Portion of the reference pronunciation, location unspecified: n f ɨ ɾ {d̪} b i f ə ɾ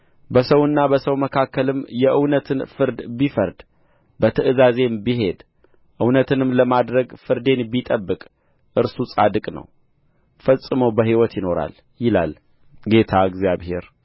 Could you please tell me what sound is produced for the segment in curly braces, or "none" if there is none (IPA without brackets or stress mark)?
d̪